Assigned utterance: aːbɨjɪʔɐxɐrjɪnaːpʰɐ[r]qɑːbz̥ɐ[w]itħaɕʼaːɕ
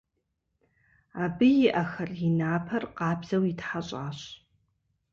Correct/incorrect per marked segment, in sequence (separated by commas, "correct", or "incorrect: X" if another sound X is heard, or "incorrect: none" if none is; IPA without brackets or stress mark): correct, correct